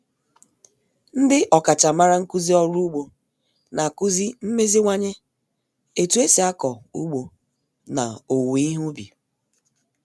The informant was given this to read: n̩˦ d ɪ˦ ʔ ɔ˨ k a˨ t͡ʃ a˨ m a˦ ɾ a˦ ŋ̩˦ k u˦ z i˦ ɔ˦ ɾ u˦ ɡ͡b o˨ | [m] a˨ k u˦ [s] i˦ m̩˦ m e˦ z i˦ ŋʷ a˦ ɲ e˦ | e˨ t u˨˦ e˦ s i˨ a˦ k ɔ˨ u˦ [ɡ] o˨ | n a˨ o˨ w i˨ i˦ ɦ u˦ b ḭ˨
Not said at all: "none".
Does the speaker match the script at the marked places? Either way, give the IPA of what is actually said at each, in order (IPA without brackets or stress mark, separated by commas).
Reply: n, z, ɡ͡b